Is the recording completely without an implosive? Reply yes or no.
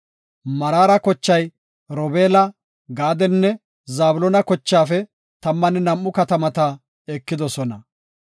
yes